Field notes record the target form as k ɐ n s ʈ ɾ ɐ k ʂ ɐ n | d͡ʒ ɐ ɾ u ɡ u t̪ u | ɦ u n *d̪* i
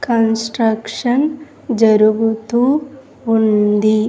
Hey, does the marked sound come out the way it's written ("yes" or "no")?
yes